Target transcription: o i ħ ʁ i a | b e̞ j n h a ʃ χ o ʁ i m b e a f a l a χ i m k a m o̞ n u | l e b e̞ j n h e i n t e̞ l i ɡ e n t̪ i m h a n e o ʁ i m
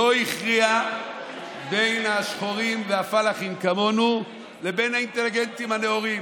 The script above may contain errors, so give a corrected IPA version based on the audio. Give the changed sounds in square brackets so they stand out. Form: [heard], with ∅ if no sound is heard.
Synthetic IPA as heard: o i [χ] ʁ i a | b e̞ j n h a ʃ χ o ʁ i m [v] e a f a l a χ i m k a m o̞ n u | l e b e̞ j n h [a] i n t e̞ l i ɡ e n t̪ i m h a n e o ʁ i m